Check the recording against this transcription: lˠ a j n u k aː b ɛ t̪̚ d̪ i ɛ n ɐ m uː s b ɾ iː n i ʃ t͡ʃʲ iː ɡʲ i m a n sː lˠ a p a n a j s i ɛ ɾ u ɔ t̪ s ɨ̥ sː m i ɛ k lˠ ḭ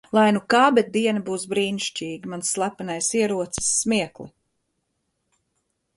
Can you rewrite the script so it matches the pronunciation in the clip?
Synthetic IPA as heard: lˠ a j n u k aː b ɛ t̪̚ d̪ i ɛ n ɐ b uː s b ɾ iː n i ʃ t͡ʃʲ iː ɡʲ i m a n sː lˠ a p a n a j s i ɛ ɾ u ɔ t̪ s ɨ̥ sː m i ɛ k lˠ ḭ